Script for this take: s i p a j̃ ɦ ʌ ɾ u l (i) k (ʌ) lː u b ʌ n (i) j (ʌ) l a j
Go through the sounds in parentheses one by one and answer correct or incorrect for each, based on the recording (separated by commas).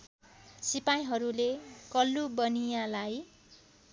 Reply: incorrect, correct, correct, incorrect